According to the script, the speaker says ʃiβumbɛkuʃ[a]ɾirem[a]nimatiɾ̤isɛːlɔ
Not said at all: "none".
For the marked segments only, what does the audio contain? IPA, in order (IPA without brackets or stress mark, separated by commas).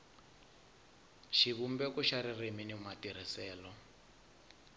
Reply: a, i